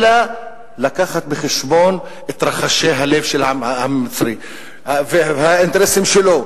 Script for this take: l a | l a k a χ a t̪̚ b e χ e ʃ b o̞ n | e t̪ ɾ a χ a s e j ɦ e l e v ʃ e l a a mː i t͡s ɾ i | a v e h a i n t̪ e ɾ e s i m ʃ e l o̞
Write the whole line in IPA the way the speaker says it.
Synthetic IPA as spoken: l a | l a k a χ a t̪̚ b e χ e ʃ b o̞ n | e t̪ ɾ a χ a ʃ e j ɦ a l e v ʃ e l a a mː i t͡s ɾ i | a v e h a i n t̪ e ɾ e s i m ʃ e l o̞